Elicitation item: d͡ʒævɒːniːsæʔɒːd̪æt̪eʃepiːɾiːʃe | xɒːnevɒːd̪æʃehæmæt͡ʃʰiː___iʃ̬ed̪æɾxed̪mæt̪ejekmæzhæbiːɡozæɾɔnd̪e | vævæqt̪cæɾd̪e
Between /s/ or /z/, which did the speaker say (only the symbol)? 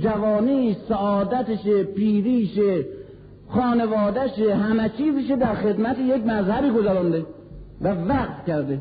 z